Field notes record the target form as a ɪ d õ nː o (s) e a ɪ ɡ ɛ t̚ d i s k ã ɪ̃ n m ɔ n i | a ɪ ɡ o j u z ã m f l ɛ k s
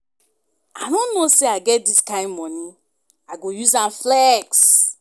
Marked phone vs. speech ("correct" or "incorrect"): correct